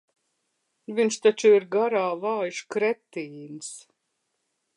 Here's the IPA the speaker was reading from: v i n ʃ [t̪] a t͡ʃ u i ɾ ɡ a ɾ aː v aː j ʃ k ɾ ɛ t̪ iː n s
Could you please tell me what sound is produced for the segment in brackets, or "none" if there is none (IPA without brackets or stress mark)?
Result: t̪